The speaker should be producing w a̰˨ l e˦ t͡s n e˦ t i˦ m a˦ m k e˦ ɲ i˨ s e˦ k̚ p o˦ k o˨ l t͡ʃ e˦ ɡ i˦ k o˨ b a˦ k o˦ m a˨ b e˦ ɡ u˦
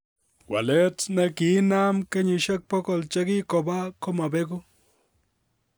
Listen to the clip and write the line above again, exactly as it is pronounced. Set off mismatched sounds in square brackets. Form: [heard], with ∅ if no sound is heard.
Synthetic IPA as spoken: w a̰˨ l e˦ t͡s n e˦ [k] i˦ [n] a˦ m k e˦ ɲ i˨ [ʃ] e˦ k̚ p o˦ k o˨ l t͡ʃ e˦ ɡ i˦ k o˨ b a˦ k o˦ m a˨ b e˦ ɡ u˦